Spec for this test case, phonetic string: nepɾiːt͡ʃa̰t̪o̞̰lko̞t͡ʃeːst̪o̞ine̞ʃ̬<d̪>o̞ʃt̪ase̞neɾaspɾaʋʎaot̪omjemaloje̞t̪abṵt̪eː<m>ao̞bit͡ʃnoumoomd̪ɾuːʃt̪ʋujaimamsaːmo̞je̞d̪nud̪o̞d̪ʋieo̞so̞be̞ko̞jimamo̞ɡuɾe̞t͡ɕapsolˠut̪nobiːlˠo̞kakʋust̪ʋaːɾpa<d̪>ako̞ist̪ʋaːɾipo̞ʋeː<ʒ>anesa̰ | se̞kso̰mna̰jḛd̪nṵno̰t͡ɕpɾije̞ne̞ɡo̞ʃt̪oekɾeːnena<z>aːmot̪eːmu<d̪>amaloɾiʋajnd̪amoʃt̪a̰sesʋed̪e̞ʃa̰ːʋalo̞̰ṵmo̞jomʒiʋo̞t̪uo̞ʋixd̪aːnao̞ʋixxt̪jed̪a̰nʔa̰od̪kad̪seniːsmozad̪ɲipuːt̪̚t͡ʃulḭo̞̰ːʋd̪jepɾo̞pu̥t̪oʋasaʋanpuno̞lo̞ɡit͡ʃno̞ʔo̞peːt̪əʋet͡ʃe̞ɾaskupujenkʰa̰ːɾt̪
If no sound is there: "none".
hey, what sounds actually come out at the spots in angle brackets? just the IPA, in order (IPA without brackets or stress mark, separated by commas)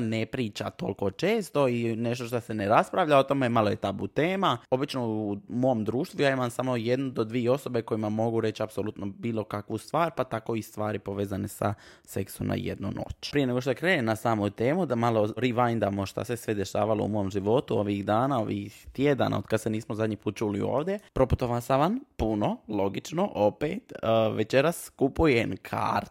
t̪, m, t̪, z, s, d̪